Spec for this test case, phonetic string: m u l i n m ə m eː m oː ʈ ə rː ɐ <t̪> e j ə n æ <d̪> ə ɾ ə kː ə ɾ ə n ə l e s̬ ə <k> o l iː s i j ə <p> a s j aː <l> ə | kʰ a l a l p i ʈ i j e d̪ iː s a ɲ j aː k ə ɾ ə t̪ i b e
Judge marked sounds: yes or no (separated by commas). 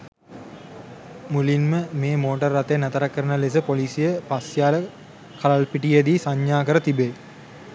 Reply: yes, no, no, yes, yes